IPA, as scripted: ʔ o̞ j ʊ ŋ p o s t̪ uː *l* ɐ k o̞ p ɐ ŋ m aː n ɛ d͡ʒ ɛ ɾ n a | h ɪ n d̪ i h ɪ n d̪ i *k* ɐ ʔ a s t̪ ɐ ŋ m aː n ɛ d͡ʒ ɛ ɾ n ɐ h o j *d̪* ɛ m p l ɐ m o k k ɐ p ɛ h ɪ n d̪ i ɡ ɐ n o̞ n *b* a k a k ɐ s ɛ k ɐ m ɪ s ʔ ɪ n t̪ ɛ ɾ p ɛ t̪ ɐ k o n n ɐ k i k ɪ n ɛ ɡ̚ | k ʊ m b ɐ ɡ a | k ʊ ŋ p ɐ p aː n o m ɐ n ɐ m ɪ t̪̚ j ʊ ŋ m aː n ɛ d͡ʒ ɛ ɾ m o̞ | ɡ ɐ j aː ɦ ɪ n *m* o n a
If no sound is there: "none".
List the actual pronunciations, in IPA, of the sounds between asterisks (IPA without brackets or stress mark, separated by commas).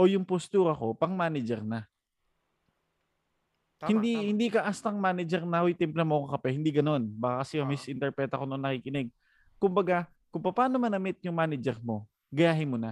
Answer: ɾ, k, t̪, b, m